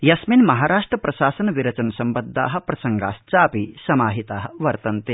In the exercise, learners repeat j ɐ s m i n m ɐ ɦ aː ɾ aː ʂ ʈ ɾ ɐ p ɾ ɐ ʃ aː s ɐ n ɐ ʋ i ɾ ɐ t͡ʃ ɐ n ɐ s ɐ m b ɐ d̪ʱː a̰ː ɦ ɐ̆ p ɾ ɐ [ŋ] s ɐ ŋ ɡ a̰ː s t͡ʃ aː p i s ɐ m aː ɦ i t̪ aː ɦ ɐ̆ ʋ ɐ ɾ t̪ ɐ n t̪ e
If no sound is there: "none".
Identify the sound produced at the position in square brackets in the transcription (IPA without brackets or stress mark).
none